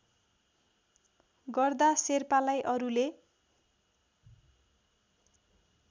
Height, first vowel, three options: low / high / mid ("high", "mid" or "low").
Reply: mid